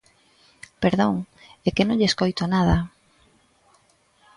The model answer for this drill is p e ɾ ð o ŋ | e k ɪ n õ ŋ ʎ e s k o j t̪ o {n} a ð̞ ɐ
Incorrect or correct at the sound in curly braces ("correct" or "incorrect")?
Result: correct